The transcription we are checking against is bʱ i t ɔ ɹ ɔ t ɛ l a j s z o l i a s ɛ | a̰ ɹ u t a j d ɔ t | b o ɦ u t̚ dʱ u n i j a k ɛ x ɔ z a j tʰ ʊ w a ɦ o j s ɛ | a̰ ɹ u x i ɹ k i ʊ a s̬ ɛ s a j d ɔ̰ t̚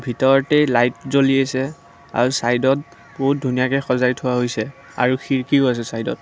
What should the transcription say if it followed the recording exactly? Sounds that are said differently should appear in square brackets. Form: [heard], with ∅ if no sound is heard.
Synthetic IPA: bʱ i t ɔ ɹ ɔ t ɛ l a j [t] z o l i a s ɛ | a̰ ɹ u [s] a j d ɔ t | b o ɦ u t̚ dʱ u n i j a k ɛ x ɔ z a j tʰ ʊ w a ɦ o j s ɛ | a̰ ɹ u x i ɹ k i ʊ a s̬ ɛ s a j d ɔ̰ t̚